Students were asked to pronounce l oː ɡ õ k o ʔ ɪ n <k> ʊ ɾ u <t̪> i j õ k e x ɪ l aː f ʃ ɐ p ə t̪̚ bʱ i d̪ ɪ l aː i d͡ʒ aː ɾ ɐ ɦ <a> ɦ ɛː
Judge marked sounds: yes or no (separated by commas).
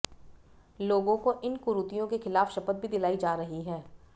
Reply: yes, yes, no